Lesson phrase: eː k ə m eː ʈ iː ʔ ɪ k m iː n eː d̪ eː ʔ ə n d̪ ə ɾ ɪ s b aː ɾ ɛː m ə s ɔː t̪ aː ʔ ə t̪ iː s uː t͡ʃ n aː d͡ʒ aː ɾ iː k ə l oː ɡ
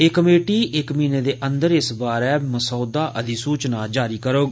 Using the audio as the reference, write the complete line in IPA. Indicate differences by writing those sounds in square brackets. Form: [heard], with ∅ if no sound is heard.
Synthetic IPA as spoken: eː k ə m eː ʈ iː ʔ ɪ k m iː n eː d̪ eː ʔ ə n d̪ ə ɾ ɪ s b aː ɾ ɛː m ə s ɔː [d̪] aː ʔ ə [d̪] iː s uː t͡ʃ n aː d͡ʒ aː ɾ iː k ə [ɾ] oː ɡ